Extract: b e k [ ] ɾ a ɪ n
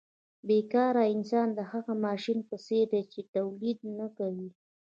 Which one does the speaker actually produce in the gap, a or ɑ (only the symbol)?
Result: ɑ